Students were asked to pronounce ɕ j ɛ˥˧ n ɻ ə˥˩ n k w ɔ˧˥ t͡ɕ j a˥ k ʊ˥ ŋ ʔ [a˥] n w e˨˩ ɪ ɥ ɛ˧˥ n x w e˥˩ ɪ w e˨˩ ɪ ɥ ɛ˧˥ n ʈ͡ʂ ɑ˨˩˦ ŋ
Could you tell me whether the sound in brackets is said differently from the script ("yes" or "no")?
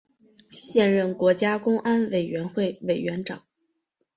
no